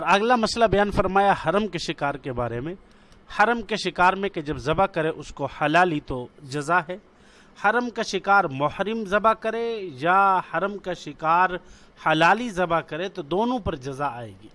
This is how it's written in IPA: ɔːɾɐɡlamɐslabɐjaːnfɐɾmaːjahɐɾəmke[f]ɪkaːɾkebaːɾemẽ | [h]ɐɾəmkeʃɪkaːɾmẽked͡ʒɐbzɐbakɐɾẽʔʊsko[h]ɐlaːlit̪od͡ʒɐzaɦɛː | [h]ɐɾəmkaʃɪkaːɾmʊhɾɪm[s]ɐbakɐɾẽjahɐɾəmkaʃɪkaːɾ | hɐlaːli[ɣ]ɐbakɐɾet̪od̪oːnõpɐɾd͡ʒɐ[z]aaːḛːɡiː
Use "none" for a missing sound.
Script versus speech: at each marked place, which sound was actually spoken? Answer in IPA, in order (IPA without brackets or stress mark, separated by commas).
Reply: ʃ, h, h, h, z, z, z